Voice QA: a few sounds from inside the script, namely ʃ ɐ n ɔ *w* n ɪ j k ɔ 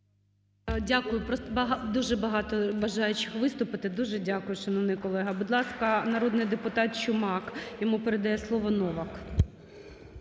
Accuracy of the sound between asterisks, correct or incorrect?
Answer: incorrect: ʋ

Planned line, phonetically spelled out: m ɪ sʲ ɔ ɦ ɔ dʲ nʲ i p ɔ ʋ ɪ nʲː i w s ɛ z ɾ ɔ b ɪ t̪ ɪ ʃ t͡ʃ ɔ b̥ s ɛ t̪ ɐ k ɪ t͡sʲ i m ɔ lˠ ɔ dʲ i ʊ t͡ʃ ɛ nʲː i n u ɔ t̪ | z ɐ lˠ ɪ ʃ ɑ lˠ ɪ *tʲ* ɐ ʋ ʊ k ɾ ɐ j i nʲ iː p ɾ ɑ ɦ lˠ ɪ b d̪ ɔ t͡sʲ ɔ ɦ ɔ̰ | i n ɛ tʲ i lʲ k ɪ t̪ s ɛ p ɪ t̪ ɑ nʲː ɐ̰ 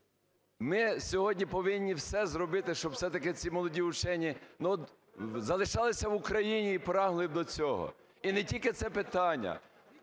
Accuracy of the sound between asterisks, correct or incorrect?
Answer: incorrect: sʲ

